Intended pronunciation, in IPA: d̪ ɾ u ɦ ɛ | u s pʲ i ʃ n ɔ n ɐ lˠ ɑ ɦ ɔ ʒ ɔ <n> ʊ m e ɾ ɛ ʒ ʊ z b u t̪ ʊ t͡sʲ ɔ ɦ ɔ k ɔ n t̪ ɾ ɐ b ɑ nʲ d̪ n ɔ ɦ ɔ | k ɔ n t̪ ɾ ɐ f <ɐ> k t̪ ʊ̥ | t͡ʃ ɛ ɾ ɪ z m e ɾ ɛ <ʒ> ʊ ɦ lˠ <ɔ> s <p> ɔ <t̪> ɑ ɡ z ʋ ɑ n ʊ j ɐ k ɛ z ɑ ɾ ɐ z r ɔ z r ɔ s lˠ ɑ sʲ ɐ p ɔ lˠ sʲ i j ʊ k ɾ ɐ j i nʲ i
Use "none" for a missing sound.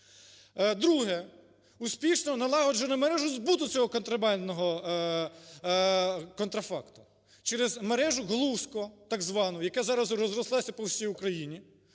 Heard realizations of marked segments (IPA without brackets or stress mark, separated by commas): n, ɑ, ʒ, u, k, t̪